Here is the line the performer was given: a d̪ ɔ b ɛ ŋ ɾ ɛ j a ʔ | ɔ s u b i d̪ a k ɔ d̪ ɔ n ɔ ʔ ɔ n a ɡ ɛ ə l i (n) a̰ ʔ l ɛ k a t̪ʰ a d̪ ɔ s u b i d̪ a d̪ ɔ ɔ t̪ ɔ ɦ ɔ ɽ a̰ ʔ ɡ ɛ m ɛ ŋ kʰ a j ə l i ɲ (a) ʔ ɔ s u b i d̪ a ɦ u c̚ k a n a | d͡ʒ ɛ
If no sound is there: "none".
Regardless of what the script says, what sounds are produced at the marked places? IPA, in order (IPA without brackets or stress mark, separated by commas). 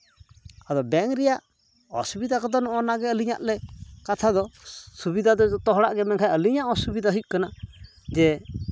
ɲ, a